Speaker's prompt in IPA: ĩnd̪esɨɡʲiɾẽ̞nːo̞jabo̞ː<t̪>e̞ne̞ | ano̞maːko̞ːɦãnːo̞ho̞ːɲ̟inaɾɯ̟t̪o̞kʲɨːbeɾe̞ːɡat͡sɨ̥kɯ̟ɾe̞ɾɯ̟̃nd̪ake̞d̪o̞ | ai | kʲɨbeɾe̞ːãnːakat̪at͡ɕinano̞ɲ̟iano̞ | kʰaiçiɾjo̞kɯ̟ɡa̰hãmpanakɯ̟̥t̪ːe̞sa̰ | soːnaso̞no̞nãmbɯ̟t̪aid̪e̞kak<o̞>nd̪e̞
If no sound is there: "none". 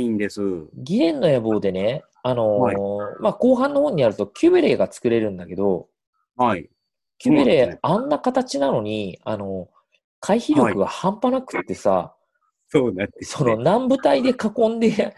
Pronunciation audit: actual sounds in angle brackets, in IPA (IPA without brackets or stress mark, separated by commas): d̪, õ̞